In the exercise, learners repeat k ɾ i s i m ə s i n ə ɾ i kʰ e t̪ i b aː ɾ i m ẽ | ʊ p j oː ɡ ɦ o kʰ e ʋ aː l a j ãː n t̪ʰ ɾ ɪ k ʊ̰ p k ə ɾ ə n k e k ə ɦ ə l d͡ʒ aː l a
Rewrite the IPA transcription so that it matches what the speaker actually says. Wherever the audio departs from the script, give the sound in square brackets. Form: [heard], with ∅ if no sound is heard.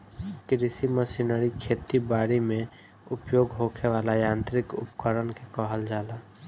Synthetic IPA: k ɾ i s i m ə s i n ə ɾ i kʰ e t̪ i b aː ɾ i m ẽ | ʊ p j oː ɡ ɦ o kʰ e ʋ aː l a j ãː n [t̪] ɾ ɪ k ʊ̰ p k ə ɾ ə n k e k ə ɦ ə l d͡ʒ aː l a